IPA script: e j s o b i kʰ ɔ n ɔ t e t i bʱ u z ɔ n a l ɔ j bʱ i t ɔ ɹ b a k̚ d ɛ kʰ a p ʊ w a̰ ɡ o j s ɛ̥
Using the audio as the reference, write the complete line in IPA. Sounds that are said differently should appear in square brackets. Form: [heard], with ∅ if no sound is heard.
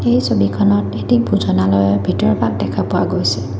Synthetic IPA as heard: e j s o b i kʰ ɔ n ɔ t e t i bʱ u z ɔ n a l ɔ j bʱ i t ɔ ɹ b a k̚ d ɛ kʰ a p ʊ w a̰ ɡ o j s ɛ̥